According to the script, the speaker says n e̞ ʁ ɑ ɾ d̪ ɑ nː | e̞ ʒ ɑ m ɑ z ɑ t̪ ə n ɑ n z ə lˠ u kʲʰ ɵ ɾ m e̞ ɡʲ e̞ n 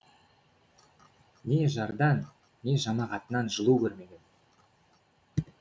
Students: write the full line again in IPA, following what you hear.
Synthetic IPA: n e̞ ʒ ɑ ɾ d̪ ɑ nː | e̞ ʒ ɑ m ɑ ʁ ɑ t̪ ə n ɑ n ʒ ə lˠ u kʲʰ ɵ ɾ m e̞ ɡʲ e̞ n